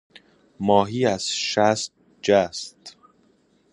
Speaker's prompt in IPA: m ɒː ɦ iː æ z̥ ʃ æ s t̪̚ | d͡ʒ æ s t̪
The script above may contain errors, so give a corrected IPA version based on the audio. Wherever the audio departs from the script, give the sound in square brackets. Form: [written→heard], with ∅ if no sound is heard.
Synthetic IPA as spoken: m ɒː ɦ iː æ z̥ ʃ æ s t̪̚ | d͡ʒ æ s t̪